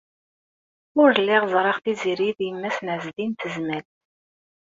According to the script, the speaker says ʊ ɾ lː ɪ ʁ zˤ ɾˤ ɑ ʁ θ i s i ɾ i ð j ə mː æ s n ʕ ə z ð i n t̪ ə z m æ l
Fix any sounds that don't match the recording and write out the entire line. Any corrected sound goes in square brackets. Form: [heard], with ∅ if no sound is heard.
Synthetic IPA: ʊ ɾ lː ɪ ʁ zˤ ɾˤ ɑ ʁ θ i [z] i ɾ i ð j ə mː æ s n ʕ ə z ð i n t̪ ə z m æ l